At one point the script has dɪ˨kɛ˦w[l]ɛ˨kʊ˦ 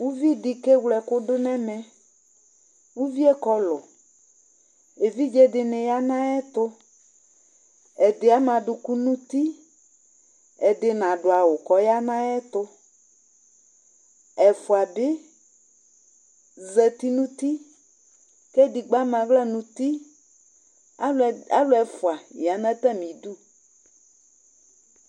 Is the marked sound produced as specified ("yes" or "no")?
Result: yes